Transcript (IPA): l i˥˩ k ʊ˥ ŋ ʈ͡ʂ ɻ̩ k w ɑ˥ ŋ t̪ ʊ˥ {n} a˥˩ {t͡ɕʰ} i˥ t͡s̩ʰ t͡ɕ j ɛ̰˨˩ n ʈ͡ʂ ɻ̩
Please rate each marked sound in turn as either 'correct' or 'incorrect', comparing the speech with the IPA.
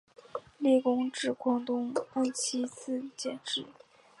incorrect, correct

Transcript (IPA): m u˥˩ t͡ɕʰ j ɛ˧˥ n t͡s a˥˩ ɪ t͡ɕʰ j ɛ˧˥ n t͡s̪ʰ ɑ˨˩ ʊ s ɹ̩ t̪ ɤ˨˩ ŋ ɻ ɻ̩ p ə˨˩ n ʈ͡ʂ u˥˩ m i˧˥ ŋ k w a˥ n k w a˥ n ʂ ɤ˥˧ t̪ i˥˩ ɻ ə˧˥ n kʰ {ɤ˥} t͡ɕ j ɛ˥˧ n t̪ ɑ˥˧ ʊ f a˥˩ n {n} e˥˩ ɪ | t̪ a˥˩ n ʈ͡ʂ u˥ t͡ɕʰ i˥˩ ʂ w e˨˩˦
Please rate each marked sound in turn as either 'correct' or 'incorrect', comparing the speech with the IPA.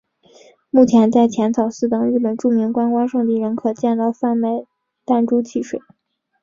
incorrect, incorrect

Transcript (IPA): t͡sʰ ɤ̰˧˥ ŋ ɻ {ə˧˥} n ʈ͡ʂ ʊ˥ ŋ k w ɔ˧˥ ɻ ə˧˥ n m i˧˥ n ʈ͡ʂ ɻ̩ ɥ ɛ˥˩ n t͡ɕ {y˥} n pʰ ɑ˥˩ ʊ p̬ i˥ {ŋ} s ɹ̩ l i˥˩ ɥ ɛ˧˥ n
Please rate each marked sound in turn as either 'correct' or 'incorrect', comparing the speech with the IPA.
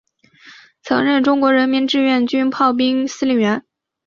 incorrect, correct, correct

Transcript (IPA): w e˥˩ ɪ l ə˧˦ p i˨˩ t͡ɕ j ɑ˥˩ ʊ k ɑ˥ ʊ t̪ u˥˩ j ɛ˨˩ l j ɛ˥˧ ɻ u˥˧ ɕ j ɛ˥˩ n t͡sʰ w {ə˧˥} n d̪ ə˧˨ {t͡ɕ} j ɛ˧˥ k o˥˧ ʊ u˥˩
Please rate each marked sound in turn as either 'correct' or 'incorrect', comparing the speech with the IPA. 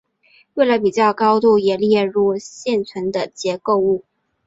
correct, correct

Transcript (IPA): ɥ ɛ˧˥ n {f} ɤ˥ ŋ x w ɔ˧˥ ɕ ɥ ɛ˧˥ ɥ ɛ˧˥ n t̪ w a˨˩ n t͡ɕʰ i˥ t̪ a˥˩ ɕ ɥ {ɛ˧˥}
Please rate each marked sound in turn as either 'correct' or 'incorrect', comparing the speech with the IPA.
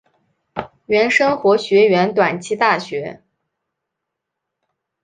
incorrect, correct

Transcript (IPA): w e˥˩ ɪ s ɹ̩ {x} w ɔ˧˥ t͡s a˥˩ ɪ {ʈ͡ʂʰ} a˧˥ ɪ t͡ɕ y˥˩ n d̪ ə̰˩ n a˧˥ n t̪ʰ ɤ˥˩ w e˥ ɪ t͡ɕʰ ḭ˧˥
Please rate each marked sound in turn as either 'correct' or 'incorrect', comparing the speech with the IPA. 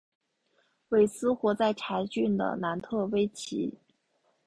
correct, correct

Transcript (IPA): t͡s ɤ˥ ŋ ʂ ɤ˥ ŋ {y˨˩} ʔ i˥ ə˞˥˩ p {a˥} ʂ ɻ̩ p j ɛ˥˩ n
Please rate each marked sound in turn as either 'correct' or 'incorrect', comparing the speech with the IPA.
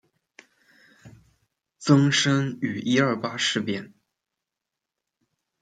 correct, correct

